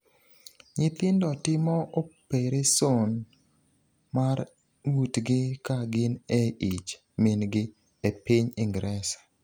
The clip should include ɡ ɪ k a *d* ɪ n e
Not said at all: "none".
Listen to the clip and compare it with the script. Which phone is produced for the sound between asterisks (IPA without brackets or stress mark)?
ɡ